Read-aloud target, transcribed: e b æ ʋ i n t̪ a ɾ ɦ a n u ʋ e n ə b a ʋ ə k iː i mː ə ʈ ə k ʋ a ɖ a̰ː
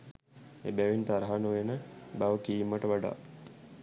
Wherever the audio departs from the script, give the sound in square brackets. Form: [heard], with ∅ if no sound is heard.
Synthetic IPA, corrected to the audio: e b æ ʋ i n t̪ a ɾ ɦ a n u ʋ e n ə b a ʋ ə k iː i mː ə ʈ ə [∅] ʋ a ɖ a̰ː